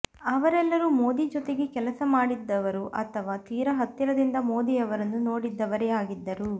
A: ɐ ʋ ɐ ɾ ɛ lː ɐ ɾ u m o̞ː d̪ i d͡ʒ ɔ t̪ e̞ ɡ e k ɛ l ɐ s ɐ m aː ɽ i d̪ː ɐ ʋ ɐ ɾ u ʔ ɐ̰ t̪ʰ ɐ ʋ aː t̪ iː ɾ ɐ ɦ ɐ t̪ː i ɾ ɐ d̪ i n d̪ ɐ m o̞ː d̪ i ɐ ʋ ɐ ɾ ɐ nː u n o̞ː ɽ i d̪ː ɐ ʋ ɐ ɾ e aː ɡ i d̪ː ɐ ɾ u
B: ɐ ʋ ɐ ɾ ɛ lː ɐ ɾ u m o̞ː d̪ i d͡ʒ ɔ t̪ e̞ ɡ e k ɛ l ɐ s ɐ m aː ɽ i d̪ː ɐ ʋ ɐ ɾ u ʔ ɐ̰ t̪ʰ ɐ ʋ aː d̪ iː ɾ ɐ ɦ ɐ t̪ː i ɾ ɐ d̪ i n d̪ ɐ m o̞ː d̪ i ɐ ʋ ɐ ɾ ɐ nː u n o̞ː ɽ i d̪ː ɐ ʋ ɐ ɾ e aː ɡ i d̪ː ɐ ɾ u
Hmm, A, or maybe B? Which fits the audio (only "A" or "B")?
A